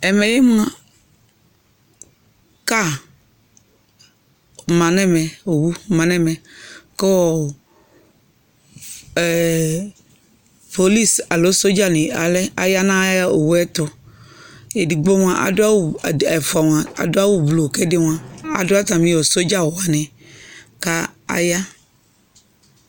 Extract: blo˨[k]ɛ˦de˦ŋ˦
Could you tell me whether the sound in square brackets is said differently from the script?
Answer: no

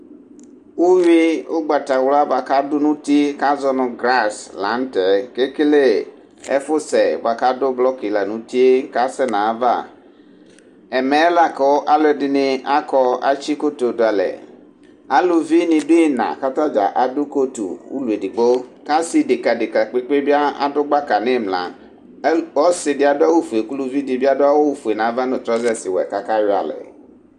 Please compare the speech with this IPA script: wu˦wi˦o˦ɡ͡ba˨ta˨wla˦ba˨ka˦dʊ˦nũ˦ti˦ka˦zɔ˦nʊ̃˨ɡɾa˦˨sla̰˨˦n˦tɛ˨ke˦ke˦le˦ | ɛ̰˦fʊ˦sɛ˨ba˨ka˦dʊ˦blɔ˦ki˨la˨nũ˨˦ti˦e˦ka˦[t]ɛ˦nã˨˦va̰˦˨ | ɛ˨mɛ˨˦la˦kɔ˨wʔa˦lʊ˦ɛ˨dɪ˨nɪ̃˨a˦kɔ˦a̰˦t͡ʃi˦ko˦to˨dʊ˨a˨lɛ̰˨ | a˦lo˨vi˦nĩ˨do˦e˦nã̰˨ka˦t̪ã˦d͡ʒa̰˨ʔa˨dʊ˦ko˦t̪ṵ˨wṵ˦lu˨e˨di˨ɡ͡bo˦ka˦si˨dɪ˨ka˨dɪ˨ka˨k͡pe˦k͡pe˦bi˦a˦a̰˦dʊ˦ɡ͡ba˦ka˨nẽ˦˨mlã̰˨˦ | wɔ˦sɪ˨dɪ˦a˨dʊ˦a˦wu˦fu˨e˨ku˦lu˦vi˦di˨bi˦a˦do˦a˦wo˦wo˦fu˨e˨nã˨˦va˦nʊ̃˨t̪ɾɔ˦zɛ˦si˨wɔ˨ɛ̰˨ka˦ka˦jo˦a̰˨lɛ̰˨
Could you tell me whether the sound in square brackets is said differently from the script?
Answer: yes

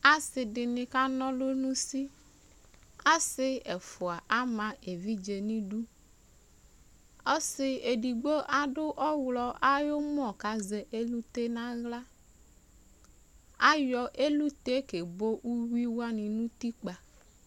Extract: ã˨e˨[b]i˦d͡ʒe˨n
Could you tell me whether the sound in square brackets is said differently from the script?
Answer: yes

